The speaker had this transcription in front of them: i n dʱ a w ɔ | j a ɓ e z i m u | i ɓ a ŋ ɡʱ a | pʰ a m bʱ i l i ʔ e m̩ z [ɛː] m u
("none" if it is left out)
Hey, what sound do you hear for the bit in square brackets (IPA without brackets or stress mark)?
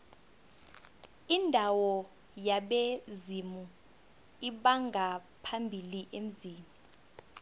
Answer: iː